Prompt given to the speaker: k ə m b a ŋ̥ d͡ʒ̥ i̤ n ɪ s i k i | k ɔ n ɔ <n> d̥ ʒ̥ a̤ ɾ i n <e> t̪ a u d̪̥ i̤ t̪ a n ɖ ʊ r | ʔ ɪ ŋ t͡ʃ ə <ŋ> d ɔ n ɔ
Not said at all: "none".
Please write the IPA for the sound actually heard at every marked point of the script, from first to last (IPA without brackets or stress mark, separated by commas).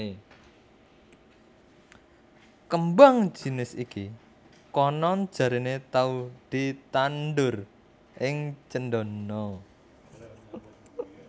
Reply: n, e, n